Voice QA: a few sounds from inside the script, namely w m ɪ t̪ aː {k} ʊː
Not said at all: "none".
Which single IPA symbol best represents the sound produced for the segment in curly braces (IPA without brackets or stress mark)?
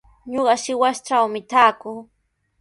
k